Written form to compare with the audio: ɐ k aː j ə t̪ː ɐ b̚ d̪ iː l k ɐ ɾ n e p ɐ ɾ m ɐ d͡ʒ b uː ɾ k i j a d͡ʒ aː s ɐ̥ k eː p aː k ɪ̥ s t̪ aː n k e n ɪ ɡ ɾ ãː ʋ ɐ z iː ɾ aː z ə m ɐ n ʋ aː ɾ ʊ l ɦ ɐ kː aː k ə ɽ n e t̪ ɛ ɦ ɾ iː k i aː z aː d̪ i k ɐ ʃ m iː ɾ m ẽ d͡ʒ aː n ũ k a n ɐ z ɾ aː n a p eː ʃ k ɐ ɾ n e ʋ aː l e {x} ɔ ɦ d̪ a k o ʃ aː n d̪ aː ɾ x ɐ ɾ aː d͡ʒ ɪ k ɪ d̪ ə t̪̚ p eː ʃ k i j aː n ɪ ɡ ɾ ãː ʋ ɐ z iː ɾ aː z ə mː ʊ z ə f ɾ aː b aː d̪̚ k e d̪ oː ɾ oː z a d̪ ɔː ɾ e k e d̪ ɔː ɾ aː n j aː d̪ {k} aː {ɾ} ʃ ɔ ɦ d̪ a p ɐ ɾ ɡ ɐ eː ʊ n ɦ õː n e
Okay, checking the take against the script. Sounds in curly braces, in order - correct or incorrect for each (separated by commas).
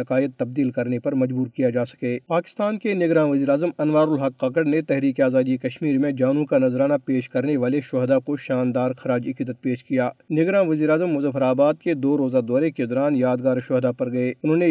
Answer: incorrect, incorrect, correct